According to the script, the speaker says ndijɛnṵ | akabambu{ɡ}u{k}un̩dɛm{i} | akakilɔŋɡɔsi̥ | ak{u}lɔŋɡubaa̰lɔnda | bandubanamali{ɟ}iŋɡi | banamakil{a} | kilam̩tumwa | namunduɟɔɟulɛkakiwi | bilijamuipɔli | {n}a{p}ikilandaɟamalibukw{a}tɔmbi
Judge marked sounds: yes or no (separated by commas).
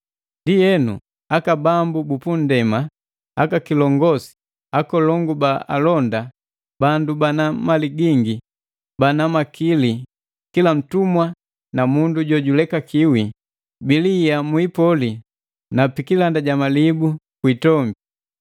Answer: no, no, no, no, no, no, yes, yes, no